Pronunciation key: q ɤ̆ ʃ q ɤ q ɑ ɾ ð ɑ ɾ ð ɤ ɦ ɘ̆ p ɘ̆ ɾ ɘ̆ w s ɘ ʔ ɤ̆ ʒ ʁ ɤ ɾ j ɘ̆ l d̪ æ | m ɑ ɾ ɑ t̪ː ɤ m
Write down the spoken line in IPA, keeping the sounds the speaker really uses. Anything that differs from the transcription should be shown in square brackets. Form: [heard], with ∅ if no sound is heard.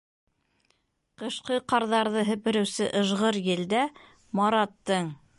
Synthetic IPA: q ɤ̆ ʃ q ɤ q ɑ ɾ ð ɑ ɾ ð ɤ ɦ ɘ̆ p ɘ̆ ɾ ɘ̆ w s ɘ ʔ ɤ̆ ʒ ʁ ɤ ɾ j ɘ̆ l d̪ æ | m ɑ ɾ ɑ t̪ː ɤ [ɴ]